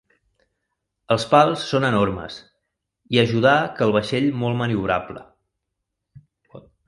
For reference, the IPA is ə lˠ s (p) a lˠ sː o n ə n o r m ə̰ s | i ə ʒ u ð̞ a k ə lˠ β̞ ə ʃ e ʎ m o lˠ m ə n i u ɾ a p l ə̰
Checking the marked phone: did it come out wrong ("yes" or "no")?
no